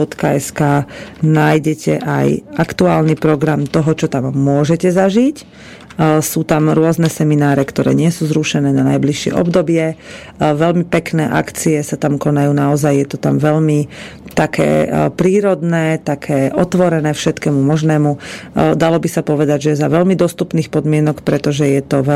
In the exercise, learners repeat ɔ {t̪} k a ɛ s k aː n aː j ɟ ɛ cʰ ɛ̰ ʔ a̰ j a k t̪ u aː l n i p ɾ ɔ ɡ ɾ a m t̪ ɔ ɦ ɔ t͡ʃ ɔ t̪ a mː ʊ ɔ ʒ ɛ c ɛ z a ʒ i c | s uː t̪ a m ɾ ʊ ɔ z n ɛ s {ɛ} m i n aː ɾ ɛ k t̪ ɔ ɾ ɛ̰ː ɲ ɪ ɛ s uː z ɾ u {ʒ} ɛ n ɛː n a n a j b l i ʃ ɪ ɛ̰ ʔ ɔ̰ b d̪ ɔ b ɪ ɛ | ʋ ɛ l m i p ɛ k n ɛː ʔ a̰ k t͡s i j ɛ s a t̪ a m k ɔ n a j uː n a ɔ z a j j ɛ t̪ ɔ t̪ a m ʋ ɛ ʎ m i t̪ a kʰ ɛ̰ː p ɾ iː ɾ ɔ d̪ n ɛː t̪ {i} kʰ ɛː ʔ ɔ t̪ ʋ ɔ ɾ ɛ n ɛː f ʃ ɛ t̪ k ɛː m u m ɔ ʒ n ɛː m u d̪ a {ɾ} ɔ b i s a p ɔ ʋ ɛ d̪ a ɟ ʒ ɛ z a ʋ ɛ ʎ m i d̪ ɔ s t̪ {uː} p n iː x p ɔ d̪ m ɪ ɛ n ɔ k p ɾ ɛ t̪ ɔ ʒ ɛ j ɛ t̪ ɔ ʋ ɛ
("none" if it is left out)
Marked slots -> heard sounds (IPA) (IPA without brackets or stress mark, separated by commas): t̪, ɛ, ʃ, a, l, u